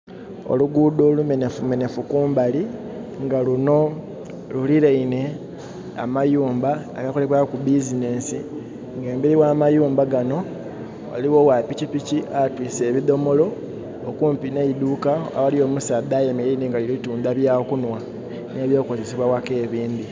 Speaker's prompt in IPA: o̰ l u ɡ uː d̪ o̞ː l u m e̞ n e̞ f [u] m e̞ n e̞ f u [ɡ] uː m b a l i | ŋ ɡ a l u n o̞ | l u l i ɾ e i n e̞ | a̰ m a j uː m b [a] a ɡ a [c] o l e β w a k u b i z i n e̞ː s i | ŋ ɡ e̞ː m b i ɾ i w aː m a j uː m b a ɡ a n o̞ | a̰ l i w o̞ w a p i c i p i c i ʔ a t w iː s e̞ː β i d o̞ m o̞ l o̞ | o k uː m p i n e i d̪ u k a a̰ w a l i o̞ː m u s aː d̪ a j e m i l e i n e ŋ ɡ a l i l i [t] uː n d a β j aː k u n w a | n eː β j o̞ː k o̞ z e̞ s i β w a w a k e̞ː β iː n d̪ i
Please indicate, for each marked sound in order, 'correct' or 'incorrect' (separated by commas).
correct, incorrect, correct, incorrect, correct